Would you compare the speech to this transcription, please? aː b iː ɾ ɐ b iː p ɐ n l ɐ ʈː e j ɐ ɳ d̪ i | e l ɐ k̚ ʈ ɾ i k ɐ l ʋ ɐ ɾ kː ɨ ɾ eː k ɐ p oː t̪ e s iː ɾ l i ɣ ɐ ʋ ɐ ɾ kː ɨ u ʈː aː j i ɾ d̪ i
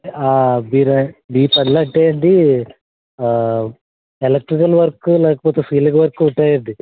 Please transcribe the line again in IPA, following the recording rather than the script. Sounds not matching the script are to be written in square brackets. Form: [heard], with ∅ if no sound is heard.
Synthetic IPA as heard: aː b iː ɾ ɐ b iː p ɐ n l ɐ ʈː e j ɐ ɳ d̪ i | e l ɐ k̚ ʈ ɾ i k ɐ l ʋ ɐ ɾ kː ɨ [l] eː k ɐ p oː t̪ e s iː [∅] l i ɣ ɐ ʋ ɐ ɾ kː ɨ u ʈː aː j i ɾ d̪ i